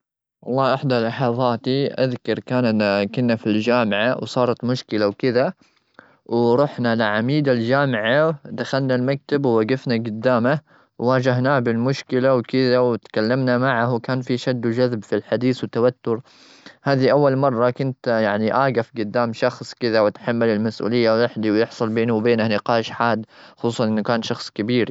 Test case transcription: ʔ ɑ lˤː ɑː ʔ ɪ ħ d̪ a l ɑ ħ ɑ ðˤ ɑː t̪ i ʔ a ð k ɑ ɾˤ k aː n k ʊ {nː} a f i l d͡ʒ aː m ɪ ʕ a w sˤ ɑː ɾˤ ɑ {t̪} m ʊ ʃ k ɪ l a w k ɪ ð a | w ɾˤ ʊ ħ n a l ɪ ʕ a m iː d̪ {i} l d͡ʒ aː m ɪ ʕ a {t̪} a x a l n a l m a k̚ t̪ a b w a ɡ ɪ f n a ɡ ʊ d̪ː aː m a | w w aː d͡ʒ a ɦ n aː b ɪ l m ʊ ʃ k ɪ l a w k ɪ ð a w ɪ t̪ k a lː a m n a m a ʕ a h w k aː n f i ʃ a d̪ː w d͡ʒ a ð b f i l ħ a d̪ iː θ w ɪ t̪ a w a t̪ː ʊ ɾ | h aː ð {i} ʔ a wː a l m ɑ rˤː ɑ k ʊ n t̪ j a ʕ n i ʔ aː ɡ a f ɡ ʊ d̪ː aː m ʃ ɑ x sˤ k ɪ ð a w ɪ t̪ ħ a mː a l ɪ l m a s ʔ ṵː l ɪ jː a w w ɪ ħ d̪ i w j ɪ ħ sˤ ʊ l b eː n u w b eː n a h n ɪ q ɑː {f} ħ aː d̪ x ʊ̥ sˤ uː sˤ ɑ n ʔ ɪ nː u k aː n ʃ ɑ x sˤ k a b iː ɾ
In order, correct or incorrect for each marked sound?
correct, correct, incorrect: a, incorrect: d̪, correct, incorrect: ʃ

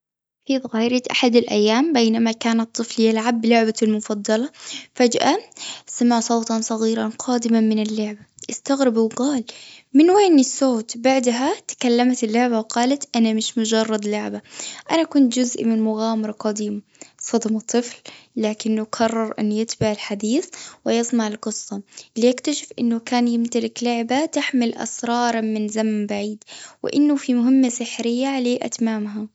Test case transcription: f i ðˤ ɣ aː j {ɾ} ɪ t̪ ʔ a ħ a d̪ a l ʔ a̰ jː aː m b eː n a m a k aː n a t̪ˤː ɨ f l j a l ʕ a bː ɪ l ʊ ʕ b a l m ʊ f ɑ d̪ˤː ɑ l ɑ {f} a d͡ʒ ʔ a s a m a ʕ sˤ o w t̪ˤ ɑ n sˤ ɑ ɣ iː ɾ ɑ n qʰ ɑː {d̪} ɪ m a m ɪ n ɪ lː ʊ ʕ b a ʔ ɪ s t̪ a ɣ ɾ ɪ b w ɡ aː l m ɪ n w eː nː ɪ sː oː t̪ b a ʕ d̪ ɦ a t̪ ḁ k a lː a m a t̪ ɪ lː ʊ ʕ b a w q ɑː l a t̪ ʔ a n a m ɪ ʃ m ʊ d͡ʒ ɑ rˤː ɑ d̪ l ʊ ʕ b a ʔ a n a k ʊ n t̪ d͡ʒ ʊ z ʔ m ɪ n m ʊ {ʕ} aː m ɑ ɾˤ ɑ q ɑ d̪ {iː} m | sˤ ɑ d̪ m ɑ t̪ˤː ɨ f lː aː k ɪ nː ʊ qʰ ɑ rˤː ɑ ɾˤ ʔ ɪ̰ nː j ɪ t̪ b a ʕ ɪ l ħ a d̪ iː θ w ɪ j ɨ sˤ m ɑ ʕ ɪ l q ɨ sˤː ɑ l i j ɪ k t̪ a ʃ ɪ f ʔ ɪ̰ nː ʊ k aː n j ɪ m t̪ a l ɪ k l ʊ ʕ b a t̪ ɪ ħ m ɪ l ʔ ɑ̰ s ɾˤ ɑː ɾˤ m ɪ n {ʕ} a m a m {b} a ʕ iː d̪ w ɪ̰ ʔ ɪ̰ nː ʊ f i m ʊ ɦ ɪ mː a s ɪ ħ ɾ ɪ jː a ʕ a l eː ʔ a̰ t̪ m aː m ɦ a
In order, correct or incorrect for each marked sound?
correct, correct, correct, incorrect: ɣ, correct, incorrect: z, correct

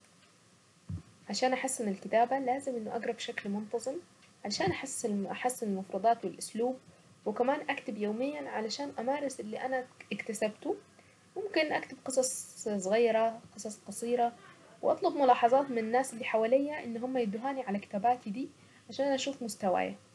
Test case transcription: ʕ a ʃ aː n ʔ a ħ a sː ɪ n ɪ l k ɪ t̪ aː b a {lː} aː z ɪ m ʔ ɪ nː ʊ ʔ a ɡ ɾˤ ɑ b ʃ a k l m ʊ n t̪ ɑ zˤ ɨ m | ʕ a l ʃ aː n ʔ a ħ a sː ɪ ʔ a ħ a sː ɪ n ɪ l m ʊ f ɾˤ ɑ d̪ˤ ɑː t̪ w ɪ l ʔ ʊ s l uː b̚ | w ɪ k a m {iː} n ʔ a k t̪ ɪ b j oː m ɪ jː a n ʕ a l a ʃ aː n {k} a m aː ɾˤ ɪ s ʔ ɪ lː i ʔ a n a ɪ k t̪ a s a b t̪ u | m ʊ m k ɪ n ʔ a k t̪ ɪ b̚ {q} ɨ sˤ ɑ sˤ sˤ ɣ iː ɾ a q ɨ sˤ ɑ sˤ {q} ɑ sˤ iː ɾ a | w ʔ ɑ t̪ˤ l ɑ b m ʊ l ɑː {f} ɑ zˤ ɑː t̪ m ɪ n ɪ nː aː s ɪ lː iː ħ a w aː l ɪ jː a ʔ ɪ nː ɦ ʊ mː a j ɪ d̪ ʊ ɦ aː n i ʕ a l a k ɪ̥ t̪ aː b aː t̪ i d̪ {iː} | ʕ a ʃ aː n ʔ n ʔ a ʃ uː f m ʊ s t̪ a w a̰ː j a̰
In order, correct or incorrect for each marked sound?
incorrect: l, incorrect: aː, incorrect: ʔ, correct, correct, incorrect: ħ, correct

